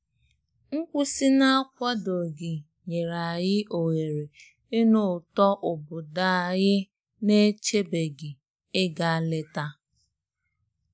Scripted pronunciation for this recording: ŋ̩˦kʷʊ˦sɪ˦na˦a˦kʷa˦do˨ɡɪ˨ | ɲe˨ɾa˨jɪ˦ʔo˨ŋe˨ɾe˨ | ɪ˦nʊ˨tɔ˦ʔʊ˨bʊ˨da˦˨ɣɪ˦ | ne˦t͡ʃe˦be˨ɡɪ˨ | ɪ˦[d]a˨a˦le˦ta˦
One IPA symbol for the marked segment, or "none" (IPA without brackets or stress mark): ɡ